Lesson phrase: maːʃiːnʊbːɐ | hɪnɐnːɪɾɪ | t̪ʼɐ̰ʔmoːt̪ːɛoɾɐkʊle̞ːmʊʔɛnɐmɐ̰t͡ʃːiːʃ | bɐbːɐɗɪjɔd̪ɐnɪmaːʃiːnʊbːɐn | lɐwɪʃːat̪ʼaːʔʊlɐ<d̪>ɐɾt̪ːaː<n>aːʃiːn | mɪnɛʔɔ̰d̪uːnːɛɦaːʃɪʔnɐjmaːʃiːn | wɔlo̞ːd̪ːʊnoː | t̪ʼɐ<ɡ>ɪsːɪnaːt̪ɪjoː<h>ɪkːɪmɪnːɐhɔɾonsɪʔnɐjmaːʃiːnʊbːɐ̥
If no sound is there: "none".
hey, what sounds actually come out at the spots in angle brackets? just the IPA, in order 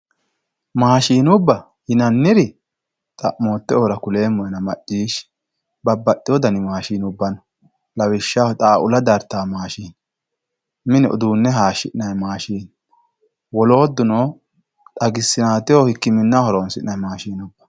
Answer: d̪, m, ɡ, h

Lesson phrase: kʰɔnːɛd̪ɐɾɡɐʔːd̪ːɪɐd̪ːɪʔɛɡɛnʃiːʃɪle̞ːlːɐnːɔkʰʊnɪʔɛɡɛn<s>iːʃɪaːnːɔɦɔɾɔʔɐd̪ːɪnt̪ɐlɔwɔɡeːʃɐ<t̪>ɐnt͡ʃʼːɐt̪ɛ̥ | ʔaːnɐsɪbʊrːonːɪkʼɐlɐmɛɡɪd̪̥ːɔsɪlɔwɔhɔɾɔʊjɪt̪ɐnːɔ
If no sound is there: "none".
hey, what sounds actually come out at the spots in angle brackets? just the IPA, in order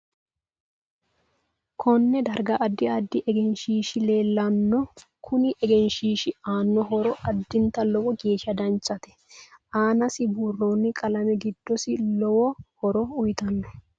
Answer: ʃ, d̪

